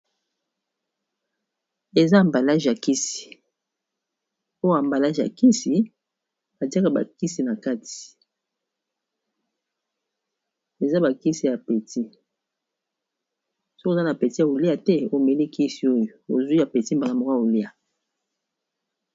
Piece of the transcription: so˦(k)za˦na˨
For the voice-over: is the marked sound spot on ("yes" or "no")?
yes